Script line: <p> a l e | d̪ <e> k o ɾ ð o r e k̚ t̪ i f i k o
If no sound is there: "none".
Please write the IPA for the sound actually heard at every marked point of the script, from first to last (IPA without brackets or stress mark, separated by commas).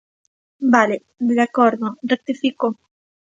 b, a